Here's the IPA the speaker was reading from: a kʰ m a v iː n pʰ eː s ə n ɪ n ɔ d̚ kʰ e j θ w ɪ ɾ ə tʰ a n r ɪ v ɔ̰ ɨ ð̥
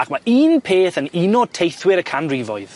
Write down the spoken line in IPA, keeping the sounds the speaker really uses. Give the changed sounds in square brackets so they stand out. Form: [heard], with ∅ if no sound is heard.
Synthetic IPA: a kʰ m a [∅] iː n pʰ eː [θ] ə n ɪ n ɔ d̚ [tʰ] e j θ w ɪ ɾ ə [kʰ] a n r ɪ v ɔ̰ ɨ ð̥